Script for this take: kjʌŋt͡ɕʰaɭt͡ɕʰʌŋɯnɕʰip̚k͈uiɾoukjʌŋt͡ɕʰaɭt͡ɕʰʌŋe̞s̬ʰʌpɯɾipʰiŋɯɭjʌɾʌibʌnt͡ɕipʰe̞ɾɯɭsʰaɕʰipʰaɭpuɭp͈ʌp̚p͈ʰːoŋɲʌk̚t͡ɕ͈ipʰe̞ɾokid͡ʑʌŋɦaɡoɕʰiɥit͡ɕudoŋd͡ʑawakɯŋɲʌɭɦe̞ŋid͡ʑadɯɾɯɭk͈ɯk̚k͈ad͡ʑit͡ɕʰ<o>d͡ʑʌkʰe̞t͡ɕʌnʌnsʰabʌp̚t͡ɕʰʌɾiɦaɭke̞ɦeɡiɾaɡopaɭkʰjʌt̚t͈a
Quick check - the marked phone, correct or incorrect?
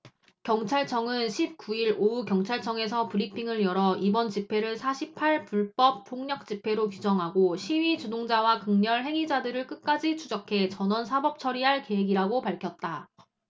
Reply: incorrect: u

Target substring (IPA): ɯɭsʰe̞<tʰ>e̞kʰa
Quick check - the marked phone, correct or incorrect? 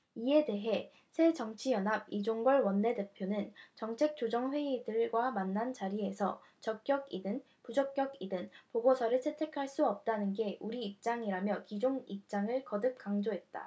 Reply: correct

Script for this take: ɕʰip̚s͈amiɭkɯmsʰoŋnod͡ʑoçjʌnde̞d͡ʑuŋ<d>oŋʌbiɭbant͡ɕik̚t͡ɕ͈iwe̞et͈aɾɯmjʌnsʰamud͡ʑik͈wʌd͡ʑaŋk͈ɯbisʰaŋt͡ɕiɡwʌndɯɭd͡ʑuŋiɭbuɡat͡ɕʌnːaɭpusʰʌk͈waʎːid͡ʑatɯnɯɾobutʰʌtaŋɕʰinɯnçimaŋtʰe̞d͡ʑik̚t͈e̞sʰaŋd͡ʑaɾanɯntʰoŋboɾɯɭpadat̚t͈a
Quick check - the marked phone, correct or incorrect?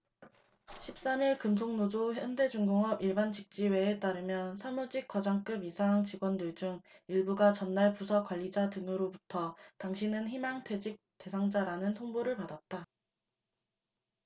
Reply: incorrect: ɡ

